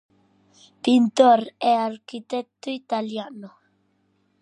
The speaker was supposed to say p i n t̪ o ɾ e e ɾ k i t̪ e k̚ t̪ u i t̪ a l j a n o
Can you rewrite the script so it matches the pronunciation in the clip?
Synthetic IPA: p i n t̪ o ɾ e a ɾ k i t̪ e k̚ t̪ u i t̪ a l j a n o